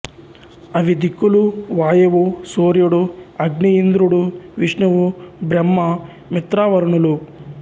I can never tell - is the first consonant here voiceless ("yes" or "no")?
no